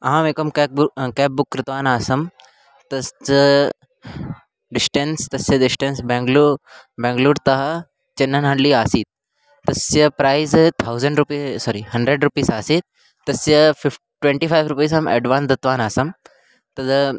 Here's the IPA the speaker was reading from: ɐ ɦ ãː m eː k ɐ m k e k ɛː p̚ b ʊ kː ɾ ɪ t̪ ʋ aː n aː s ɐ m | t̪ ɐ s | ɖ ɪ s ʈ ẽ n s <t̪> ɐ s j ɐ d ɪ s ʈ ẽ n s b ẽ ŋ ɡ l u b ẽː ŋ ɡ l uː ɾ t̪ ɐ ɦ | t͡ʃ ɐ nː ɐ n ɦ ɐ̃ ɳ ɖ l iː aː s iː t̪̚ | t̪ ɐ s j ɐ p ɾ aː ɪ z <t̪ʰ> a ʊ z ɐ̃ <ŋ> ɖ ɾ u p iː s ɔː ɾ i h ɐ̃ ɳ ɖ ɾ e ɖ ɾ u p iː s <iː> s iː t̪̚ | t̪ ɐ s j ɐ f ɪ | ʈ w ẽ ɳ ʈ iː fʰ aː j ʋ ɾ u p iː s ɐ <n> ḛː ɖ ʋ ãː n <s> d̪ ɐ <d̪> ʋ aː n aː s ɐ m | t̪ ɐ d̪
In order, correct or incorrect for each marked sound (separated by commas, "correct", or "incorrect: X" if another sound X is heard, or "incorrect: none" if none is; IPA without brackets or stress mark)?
correct, correct, incorrect: ɳ, incorrect: aː, incorrect: m, correct, incorrect: t̪